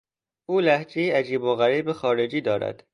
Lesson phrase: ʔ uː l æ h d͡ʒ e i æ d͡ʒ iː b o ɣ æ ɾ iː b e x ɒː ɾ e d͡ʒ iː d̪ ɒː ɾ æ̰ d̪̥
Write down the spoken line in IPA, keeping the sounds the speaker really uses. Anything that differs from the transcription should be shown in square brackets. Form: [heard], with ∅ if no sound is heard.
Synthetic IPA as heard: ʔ uː l æ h d͡ʒ e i æ d͡ʒ iː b o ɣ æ ɾ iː b e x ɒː ɾ e d͡ʒ iː d̪ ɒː ɾ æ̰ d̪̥